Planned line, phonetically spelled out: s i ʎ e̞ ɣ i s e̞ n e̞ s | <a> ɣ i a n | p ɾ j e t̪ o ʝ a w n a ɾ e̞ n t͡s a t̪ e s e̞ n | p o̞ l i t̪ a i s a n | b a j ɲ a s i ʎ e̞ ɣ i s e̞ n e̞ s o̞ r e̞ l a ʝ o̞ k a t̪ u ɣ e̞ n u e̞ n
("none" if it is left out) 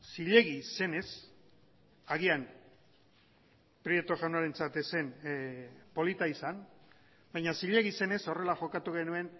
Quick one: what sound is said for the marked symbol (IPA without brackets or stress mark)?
a